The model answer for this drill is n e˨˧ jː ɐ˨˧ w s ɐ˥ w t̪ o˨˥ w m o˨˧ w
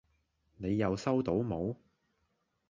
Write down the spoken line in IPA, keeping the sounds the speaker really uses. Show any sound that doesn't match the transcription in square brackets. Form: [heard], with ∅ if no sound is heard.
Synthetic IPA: n e˨˧ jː ɐ˨˧ w s ɐ˥ w t̪ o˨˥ w m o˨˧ w